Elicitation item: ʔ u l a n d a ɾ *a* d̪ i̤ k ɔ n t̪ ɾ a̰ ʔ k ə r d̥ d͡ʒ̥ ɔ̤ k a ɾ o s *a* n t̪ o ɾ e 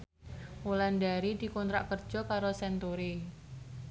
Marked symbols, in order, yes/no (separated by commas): no, no